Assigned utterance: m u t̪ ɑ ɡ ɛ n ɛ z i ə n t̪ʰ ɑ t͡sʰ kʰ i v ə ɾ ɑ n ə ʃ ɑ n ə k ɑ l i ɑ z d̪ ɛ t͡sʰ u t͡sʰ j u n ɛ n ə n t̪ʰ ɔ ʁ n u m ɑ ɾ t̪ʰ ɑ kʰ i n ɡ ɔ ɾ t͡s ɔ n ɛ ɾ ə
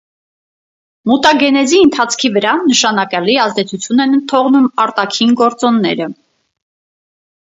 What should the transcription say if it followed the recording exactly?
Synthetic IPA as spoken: m u t̪ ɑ ɡ ɛ n ɛ z i ə n t̪ʰ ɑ t͡sʰ kʰ i v ə ɾ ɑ n ə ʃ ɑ n ɑ k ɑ l i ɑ z d̪ ɛ t͡sʰ u t͡sʰ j u n ɛ n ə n t̪ʰ ɔ ʁ n u m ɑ ɾ t̪ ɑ kʰ i n ɡ ɔ ɾ t͡s ɔ nː ɛ ɾ ə

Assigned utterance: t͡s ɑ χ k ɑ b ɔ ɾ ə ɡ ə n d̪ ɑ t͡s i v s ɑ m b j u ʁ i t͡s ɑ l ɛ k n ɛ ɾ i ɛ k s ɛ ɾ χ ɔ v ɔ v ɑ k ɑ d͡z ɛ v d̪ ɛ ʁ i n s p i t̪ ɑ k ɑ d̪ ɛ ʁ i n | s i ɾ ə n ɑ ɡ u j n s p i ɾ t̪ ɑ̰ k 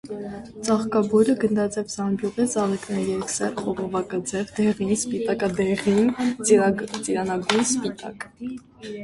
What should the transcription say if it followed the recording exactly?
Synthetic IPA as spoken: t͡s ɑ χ k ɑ b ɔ ɾ ə ɡ ə n d̪ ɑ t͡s ɛ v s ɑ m b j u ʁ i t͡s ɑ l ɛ k n ɛ ɾ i ɛ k s ɛ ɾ χ ɔ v ɔ v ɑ k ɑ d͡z ɛ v d̪ ɛ ʁ i n s p i t̪ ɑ k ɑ d̪ ɛ ʁ i n | t͡s i ɾ ɑ n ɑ ɡ u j n s p i t̪ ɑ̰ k

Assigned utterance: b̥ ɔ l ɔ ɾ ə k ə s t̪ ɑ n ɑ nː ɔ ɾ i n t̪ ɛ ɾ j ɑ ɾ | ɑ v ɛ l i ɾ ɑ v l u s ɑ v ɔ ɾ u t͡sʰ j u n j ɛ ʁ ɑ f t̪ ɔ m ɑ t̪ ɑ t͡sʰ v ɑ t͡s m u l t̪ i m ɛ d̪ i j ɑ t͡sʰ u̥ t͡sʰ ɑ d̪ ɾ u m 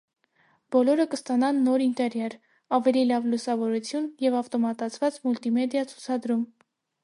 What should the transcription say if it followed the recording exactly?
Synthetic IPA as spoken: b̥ ɔ l ɔ ɾ ə k ə s t̪ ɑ n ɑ nː ɔ ɾ i n t̪ ɛ ɾ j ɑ ɾ | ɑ v ɛ l i l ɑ v l u s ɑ v ɔ ɾ u t͡sʰ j u n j ɛ v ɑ f t̪ ɔ m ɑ t̪ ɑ t͡sʰ v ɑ t͡s m u l t̪ i m ɛ d̪ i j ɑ t͡sʰ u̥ t͡sʰ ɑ d̪ ɾ u m

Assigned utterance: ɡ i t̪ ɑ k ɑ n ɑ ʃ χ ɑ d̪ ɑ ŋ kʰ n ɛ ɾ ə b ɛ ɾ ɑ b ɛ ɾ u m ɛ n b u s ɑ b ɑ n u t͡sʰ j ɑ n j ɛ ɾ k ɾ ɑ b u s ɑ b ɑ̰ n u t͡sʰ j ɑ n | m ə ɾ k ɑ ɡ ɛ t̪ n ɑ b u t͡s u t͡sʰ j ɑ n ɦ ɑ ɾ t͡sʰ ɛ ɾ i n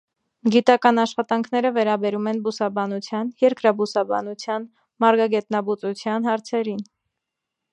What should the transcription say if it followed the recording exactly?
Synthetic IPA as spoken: ɡ i t̪ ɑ k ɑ n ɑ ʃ χ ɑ t̪ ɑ ŋ kʰ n ɛ ɾ ə v ɛ ɾ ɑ b ɛ ɾ u m ɛ n b u s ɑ b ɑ n u t͡sʰ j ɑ n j ɛ ɾ k ɾ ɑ b u s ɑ b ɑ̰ n u t͡sʰ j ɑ n | m ɑ ɾ ɡ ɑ ɡ ɛ t̪ n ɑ b u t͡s u t͡sʰ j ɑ n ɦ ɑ ɾ t͡sʰ ɛ ɾ i n

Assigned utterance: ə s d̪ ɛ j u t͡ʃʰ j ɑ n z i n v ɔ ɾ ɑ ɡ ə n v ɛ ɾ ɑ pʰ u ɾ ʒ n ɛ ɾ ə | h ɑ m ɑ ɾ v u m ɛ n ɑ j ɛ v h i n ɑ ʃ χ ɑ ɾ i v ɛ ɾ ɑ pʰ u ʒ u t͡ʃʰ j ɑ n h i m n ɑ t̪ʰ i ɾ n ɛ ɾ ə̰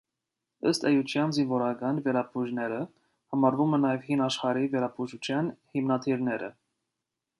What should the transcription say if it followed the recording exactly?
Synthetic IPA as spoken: ə s t̪ ɛ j u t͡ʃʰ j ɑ n z i n v ɔ ɾ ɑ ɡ ɑ n v ɛ ɾ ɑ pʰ u ʒ n ɛ ɾ ə | h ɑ m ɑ ɾ v u m ɛ n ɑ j ɛ v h i n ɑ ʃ χ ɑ ɾ i v ɛ ɾ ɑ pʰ u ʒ u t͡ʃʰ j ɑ n h i m n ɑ t̪ʰ i ɾ n ɛ ɾ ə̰

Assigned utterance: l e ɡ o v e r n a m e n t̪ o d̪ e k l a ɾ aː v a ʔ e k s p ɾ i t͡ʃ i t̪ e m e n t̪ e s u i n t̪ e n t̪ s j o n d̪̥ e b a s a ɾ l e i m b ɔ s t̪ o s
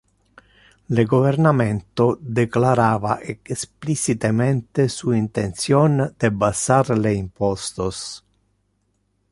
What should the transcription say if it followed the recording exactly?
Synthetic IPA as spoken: l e ɡ o v e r n a m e n t̪ o d̪ e k l a ɾ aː v a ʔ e k s p l i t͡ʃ i t̪ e m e n t̪ e s u i n t̪ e n t̪ s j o n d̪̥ e b a s a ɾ l e i m p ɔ s t̪ o s

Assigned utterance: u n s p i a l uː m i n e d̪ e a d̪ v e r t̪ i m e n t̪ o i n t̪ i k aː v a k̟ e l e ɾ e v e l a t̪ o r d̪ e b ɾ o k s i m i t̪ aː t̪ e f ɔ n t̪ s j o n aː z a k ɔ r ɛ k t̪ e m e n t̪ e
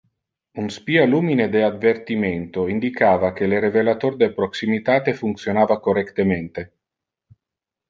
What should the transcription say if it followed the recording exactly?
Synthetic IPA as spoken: u n s p i a l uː m i n e d̪ e a d̪ v e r t̪ i m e n t̪ o i n d̪ i k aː v a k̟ e l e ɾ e v e l a t̪ o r d̪ e p ɾ o k s i m i t̪ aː t̪ e f u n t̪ s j o n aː v a k o r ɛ k t̪ e m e n t̪ e

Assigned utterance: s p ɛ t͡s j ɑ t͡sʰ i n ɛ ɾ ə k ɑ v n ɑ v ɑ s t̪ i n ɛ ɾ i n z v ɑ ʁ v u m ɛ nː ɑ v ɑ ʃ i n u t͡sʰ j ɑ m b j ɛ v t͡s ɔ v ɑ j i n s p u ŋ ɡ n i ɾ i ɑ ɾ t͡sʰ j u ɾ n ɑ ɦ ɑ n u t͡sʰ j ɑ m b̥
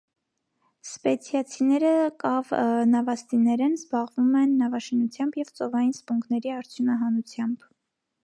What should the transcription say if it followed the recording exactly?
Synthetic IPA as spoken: s p ɛ t͡sʰ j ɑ t͡sʰ i n ɛ ɾ ə k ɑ v n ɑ v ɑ s t̪ i n ɛ ɾ ɛ n z b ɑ ʁ v u m ɛ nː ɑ v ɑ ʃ i n u t͡sʰ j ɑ m b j ɛ v t͡s ɔ v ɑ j i n s p u ŋ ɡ n ɛ ɾ i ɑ ɾ t͡sʰ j u n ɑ ɦ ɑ n u t͡sʰ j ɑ m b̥

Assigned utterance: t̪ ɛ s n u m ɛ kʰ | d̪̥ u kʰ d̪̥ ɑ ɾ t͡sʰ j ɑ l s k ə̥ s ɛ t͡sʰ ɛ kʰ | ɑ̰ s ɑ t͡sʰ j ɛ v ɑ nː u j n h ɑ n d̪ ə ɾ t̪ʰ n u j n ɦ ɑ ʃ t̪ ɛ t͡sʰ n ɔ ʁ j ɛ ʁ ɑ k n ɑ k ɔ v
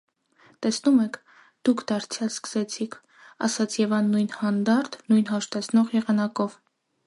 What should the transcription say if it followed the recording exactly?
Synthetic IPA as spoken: t̪ ɛ s n u m ɛ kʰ | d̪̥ u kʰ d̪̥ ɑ ɾ t͡sʰ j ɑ l s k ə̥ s ɛ t͡sʰ i kʰ | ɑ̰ s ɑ t͡sʰ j ɛ v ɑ nː u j n h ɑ n d̪ ɑ ɾ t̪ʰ n u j n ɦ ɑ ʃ t̪ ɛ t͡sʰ n ɔ ʁ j ɛ ʁ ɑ n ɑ k ɔ v

